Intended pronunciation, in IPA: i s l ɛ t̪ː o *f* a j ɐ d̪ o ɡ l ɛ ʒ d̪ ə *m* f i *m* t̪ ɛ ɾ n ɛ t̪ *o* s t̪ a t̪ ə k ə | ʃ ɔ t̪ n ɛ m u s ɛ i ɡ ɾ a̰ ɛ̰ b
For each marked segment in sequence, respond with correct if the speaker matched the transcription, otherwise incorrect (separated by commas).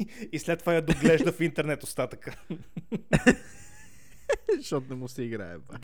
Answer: incorrect, incorrect, incorrect, correct